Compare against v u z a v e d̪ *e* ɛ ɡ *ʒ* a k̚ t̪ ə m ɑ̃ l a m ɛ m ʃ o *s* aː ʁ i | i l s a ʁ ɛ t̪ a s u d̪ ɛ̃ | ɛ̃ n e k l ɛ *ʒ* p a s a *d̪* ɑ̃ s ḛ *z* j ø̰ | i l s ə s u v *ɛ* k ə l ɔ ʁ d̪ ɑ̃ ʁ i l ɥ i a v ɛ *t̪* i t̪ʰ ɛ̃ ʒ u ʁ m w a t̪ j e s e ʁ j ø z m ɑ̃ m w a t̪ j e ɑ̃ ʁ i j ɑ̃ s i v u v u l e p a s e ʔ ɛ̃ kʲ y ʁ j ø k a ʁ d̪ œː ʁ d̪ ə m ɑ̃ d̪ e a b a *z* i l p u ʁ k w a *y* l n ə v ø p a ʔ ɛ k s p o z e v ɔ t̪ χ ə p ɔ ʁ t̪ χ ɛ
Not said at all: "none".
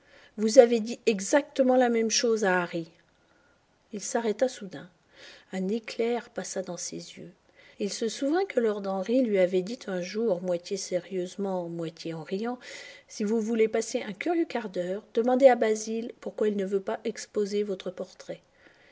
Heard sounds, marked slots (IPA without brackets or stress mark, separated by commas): i, z, z, ʁ, d̪, z, ɛ̃, d̪, z, i